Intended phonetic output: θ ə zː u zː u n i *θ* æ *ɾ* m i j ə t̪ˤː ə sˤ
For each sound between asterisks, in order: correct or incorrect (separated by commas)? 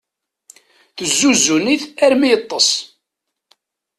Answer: correct, correct